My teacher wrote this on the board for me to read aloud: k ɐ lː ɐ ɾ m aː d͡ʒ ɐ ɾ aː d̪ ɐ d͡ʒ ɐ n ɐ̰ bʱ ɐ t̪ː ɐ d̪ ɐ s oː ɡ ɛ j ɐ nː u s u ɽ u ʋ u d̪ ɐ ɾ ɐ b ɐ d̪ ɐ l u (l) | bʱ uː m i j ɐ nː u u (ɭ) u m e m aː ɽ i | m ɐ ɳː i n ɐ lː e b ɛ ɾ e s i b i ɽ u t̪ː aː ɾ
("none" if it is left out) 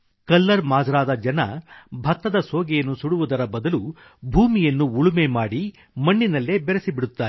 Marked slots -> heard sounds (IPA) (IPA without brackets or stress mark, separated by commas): none, ɭ